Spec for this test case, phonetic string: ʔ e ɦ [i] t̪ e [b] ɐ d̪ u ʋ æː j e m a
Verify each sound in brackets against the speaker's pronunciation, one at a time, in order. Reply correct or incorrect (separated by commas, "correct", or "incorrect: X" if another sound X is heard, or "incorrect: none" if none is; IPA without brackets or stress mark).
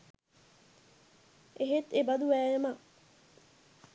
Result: incorrect: e, correct